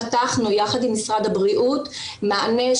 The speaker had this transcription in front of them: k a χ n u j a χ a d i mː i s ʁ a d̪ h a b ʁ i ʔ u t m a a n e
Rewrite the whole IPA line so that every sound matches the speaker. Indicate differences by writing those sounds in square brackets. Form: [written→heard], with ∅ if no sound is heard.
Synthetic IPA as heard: [k→t] a χ n u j a χ a d i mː i s ʁ a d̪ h a b ʁ i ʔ u t m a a n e